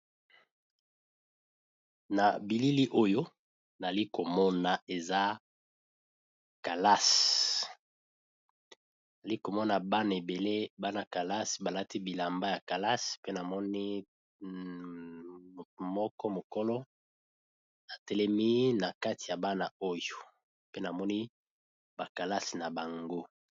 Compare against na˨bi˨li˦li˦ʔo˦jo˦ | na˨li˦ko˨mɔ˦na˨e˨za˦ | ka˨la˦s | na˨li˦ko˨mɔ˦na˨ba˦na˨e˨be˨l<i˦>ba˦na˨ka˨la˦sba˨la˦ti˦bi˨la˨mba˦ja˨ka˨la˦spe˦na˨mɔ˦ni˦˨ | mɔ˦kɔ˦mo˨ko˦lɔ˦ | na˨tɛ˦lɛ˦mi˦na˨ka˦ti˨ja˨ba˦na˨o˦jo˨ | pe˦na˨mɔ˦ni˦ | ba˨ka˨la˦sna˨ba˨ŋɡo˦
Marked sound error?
yes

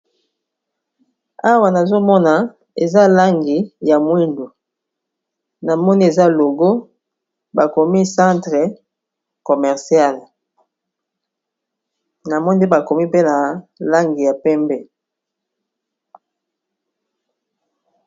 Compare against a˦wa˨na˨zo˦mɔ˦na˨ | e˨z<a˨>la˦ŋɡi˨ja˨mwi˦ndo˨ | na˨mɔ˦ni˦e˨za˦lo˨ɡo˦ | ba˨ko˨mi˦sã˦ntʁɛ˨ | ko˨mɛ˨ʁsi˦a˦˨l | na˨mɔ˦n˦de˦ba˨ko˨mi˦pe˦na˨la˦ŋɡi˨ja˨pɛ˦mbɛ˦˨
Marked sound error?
yes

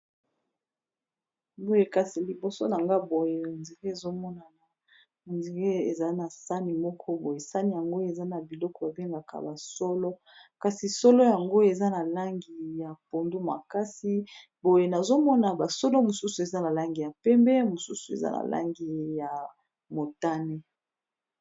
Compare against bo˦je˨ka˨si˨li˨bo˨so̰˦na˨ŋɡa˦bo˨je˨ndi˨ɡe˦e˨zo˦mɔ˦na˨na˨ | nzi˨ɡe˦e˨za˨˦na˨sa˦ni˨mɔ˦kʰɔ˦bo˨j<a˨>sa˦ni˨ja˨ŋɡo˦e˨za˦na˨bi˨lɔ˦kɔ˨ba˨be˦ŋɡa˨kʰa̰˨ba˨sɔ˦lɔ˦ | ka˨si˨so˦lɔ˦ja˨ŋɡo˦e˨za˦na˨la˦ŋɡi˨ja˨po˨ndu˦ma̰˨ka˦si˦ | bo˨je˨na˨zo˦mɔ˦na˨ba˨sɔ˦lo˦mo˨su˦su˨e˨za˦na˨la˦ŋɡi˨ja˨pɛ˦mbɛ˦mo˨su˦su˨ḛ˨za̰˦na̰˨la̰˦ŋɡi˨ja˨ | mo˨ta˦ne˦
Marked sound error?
yes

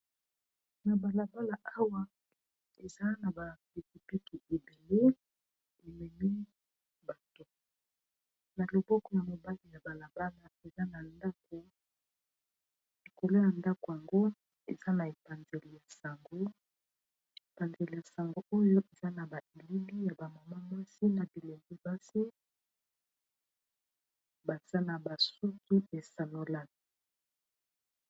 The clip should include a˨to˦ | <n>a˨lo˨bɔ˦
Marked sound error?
no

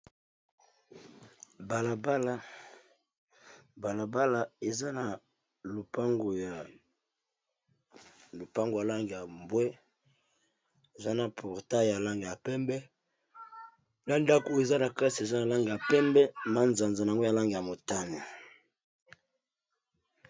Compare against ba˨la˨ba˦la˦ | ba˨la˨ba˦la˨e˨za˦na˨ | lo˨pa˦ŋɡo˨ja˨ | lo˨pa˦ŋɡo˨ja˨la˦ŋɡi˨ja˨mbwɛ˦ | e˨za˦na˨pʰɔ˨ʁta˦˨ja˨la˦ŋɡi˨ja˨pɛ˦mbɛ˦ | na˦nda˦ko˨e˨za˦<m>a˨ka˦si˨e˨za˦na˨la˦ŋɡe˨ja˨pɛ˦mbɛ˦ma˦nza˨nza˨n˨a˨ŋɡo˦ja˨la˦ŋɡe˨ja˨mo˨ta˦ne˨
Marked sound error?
yes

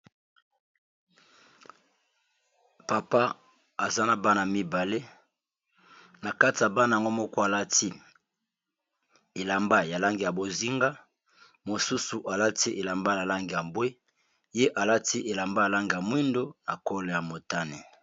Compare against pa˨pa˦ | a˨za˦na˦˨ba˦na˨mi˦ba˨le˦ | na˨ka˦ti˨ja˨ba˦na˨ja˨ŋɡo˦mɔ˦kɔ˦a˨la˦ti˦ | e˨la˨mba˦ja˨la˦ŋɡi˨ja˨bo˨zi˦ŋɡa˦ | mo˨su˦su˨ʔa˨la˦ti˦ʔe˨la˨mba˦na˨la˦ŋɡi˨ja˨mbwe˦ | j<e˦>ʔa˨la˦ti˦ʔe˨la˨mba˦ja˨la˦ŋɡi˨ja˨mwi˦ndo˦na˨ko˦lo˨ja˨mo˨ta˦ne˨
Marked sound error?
no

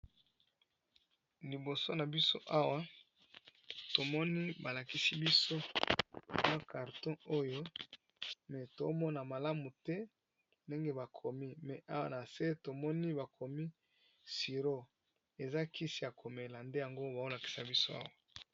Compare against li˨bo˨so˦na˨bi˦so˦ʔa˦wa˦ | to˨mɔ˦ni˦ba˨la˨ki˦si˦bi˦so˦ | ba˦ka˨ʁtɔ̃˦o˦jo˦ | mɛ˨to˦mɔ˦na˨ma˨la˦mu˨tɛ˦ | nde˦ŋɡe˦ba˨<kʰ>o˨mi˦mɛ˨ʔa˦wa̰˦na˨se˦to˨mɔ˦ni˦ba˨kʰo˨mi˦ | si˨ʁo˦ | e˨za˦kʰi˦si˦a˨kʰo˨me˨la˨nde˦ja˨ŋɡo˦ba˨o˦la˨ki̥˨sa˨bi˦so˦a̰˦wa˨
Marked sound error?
no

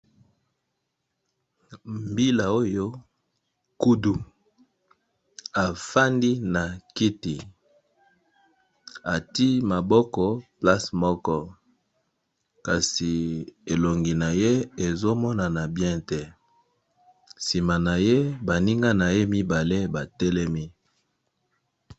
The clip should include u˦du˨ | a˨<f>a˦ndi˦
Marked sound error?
no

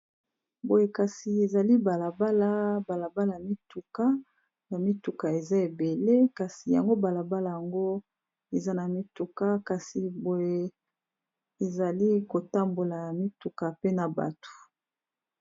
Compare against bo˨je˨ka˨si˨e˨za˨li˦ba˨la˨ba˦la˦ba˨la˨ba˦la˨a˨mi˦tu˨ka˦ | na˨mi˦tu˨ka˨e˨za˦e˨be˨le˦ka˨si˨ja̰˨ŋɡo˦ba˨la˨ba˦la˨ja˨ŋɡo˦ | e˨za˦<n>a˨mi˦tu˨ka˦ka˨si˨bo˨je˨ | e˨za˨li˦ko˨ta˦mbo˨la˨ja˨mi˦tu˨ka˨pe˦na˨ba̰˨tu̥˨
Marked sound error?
no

